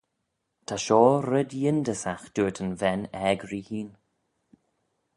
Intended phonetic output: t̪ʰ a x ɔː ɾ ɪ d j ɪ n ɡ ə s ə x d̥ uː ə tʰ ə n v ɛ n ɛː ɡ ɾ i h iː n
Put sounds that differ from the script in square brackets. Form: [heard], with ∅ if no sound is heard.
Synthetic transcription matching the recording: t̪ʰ a [ʃ] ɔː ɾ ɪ d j ɪ n [d] ə s [a] x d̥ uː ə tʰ ə n v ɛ n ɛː ɡ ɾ i h iː n